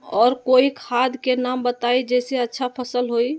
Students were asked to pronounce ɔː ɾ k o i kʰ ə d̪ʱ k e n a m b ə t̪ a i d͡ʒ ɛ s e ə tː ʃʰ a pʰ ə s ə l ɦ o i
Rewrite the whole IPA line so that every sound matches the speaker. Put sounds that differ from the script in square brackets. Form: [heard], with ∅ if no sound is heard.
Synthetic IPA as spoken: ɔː ɾ k o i kʰ [a] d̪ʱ k e n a m b ə t̪ a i d͡ʒ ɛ s e ə tː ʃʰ a pʰ ə s ə l ɦ o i